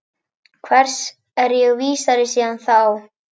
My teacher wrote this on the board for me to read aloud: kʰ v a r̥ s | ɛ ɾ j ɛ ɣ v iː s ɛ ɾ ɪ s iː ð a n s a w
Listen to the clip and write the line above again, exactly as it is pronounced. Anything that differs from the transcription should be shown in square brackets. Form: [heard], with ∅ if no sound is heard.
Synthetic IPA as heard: kʰ v [ɛ] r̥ s | ɛ ɾ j ɛ ɣ v iː s [a] ɾ ɪ s iː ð a n [θ] a w